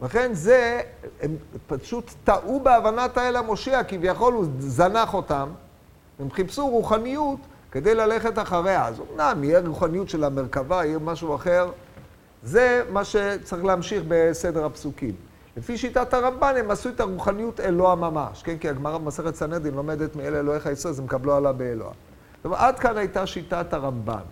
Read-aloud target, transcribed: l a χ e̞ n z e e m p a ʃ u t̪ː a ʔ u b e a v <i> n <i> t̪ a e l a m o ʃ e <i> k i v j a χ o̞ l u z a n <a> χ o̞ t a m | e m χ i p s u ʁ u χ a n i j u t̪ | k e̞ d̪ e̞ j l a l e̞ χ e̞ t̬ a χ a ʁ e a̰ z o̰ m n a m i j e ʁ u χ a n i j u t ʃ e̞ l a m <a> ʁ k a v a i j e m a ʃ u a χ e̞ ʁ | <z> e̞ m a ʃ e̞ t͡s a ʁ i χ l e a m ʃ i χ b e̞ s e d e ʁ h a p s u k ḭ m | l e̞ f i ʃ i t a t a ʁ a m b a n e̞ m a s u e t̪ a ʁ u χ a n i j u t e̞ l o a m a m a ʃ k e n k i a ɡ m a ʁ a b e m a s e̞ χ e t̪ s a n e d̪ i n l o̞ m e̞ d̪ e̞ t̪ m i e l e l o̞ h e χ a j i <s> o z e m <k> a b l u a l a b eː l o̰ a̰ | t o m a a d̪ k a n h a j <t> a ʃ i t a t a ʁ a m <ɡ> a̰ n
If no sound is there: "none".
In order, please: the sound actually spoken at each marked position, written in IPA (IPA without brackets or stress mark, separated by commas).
a, a, a, a, e, z, s, k, t, b